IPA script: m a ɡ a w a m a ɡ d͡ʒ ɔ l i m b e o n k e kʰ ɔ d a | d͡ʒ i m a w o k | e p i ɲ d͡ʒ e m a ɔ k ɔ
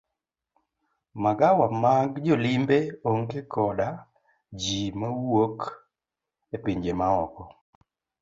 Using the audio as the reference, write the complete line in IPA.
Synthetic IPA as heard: m a ɡ a w a m a ɡ d͡ʒ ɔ l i m b e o ŋ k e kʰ ɔ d a | d͡ʒ i m a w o k | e p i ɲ d͡ʒ e m a ɔ k ɔ